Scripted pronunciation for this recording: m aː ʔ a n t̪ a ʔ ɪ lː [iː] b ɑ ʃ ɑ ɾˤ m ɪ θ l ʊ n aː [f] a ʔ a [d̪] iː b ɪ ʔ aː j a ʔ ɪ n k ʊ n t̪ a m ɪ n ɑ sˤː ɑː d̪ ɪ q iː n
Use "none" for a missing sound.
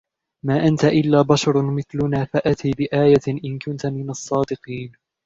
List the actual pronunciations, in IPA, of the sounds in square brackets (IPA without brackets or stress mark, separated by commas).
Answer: aː, f, t̪